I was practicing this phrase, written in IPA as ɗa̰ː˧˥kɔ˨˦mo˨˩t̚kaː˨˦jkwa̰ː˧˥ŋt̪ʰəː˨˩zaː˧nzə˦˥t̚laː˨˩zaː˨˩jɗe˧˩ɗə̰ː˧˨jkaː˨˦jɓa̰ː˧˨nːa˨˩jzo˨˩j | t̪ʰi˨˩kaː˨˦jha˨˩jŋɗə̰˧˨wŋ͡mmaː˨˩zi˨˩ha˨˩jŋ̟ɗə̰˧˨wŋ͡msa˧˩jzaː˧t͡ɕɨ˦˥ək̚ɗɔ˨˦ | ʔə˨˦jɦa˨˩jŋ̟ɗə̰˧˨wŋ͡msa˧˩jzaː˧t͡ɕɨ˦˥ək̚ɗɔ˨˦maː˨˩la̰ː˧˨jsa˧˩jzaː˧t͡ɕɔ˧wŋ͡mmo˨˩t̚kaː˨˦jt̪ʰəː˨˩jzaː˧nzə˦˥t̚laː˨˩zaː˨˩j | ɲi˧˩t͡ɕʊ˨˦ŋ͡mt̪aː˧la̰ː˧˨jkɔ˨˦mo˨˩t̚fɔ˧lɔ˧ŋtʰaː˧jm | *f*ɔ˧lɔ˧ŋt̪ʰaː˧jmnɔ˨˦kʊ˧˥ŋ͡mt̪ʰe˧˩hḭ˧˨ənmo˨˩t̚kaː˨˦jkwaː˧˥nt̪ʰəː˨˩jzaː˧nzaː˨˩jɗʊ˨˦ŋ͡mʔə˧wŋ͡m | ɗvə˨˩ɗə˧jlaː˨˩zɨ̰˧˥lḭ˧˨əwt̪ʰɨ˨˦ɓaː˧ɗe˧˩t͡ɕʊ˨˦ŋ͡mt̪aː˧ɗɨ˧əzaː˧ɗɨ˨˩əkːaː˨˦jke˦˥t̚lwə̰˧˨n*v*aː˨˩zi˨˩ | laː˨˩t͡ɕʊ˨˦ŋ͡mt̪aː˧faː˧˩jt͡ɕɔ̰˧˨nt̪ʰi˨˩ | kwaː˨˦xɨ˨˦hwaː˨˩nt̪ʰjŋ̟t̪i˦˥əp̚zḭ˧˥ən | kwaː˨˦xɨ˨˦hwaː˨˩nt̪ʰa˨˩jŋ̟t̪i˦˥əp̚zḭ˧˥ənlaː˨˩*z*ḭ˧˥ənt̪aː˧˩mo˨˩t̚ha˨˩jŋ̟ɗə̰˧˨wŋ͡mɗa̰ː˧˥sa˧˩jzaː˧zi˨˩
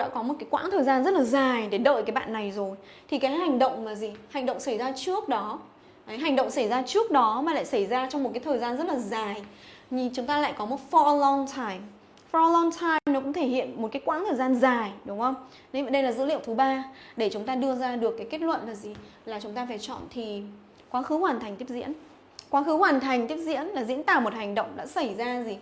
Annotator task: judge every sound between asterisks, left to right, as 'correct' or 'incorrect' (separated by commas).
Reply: correct, correct, correct